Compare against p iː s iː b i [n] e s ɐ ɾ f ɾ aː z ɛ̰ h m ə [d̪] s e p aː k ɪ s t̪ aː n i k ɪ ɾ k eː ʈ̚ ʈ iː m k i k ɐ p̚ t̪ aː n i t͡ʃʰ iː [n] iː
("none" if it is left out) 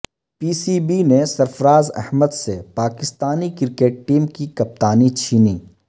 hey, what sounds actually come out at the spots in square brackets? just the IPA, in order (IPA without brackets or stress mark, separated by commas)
n, d̪, n